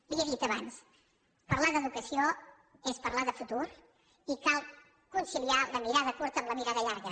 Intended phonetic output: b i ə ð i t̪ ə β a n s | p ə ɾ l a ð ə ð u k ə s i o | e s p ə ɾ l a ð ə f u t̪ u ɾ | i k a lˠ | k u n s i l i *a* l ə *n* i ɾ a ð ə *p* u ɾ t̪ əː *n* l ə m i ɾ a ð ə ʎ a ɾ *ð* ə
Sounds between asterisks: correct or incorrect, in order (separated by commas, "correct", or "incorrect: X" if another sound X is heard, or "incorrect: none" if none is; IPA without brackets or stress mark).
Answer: correct, incorrect: m, incorrect: k, incorrect: m, incorrect: ɣ